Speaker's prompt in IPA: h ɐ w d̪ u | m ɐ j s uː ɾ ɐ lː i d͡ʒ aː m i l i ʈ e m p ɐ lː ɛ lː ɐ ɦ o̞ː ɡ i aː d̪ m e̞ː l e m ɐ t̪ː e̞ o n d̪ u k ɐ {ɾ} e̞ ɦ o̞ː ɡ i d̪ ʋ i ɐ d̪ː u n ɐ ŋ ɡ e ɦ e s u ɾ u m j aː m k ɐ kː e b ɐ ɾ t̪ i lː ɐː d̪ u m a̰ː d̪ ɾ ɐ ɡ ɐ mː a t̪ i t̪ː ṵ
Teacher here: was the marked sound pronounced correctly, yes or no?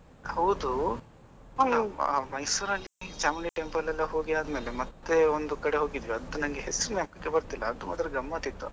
no